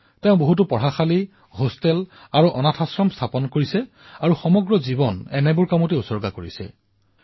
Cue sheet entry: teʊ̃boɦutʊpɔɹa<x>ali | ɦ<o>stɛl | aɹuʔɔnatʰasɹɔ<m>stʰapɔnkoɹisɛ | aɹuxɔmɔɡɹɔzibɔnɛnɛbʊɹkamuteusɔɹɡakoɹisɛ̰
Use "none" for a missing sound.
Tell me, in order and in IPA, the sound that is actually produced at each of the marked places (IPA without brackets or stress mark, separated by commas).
x, o, m